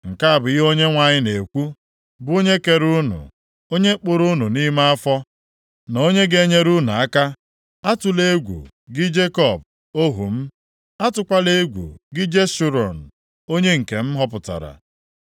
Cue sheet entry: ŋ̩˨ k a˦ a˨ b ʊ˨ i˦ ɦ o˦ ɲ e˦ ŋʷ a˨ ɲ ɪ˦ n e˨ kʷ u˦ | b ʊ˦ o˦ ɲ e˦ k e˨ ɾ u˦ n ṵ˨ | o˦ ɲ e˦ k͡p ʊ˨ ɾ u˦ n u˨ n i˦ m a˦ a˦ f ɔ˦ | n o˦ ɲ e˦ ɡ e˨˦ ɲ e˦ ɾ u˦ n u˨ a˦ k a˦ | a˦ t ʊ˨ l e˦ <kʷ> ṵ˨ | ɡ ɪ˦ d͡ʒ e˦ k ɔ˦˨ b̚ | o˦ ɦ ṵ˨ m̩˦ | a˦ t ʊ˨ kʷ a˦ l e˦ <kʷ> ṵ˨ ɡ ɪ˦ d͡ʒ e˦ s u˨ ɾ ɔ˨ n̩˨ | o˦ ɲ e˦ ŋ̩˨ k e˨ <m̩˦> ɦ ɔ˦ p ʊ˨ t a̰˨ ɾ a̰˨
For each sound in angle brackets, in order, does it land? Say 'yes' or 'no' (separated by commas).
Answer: no, no, yes